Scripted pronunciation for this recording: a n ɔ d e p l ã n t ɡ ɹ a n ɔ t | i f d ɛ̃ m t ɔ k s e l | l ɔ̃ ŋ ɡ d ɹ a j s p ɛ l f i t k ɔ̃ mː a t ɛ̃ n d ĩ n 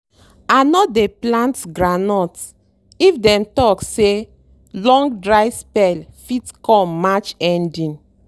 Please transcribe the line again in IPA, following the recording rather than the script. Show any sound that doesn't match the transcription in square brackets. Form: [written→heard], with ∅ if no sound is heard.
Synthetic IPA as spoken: a n ɔ d e p l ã n t ɡ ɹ a n ɔ t | i f d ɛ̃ m t ɔ k s e [l→∅] | l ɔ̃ ŋ ɡ d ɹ a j s p ɛ l f i t k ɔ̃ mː a [t→t͡ʃ] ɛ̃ n d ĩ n